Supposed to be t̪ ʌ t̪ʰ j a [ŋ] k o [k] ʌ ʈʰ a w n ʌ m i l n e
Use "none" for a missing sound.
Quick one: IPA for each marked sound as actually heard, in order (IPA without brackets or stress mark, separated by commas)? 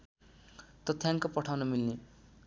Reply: ŋ, p